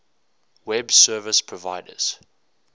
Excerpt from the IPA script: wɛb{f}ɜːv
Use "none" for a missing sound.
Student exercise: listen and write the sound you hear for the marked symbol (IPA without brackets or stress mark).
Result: s